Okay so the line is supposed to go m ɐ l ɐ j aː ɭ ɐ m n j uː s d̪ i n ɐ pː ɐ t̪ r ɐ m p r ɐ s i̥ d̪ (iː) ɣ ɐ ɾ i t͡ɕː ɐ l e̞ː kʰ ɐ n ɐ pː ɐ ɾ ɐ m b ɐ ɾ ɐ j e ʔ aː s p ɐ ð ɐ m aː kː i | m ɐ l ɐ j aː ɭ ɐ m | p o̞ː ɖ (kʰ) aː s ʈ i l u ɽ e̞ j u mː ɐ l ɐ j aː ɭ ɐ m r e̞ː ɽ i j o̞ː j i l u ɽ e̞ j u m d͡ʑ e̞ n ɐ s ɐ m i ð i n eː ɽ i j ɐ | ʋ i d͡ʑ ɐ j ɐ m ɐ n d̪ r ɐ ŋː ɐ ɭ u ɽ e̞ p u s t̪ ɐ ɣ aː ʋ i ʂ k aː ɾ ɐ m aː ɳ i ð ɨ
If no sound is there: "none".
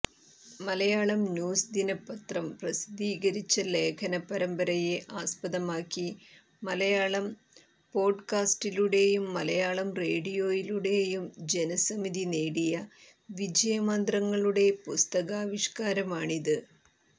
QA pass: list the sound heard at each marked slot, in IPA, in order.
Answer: iː, k

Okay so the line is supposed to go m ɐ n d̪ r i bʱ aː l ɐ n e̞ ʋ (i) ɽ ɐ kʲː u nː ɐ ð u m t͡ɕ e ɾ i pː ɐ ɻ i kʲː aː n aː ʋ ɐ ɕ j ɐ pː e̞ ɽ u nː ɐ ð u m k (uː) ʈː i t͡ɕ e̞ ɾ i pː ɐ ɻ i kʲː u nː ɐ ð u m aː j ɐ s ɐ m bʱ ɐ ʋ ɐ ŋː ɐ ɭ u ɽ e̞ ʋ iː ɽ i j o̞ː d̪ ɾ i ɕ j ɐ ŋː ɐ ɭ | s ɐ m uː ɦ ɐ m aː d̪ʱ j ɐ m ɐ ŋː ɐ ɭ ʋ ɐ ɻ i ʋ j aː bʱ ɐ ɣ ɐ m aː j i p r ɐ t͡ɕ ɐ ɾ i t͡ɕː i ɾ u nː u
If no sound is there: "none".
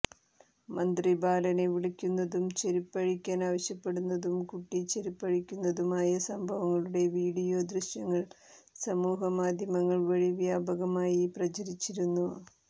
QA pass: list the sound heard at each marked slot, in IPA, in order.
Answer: i, u

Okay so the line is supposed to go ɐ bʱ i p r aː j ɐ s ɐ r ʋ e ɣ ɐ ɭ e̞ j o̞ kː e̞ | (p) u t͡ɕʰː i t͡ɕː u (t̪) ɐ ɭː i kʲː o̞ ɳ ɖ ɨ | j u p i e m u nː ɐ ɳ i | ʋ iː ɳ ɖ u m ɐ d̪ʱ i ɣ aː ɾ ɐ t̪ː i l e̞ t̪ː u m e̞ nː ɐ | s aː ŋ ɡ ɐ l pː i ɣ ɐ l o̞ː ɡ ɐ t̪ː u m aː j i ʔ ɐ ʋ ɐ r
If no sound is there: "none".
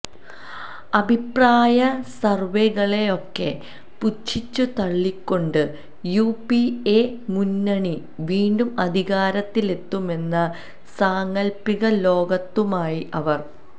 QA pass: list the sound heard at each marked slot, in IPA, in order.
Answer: p, t̪

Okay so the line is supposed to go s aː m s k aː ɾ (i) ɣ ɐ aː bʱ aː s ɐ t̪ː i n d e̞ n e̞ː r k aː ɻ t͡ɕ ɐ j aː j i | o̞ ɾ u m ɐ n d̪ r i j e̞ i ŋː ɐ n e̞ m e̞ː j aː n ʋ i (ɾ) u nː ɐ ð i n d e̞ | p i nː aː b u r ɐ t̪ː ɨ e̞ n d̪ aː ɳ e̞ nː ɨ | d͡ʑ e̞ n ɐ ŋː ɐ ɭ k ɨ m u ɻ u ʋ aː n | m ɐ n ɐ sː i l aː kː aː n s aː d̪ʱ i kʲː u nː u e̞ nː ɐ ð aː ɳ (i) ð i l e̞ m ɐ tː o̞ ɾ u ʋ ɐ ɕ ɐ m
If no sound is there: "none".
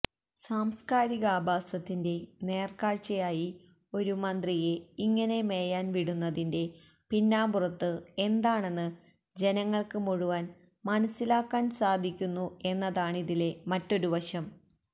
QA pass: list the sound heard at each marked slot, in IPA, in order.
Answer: i, ɽ, i

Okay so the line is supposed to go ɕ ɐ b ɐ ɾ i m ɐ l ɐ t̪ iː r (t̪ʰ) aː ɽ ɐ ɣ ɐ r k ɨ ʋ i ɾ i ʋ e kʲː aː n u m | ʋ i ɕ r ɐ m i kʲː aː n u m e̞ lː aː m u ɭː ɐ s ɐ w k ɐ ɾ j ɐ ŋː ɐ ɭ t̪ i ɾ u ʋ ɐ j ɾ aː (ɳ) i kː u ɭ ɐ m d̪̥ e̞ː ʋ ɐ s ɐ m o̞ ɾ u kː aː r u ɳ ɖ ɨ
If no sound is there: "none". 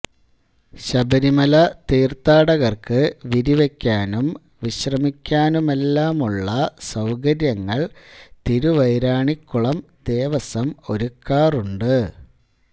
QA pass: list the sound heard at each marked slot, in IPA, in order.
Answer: t̪, ɳ

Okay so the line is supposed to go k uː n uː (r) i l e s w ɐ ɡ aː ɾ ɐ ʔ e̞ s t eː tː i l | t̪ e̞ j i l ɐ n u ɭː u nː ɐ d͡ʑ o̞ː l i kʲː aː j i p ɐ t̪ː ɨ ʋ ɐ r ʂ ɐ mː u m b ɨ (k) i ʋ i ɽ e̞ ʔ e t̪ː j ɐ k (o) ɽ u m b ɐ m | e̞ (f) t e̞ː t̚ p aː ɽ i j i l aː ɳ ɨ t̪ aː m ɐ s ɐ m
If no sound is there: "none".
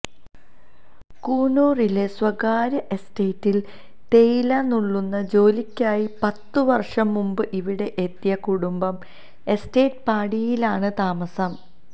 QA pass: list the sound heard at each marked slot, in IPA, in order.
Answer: r, ʔ, u, s

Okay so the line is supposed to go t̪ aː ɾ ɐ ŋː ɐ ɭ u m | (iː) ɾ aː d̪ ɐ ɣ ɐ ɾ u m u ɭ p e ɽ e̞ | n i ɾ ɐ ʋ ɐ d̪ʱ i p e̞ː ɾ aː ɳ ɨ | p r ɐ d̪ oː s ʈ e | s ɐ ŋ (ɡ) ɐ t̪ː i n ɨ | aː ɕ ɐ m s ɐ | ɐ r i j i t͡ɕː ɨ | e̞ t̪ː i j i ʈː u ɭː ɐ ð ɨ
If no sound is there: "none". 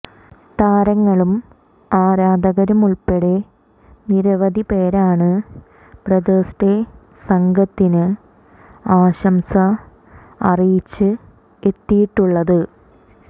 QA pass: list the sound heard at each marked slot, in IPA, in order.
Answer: aː, ɡ

